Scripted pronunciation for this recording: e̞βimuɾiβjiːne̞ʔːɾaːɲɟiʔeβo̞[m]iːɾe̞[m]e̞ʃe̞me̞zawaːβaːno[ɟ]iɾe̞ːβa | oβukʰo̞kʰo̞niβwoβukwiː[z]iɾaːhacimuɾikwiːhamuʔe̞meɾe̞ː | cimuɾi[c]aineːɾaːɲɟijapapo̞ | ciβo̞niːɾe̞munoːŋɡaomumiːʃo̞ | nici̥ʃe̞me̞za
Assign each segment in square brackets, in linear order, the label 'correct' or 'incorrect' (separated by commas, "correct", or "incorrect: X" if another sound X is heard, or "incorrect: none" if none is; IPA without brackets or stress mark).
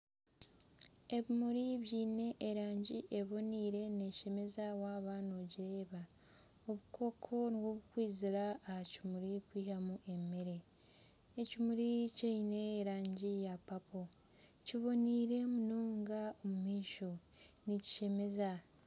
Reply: incorrect: n, incorrect: n, correct, correct, correct